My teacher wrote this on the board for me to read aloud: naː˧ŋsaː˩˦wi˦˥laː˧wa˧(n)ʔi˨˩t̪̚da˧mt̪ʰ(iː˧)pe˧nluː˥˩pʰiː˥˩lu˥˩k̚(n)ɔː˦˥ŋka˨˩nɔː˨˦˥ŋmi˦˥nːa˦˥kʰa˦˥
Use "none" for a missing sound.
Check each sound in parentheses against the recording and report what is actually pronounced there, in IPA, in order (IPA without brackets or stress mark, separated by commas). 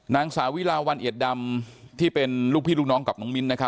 n, iː˥˩, n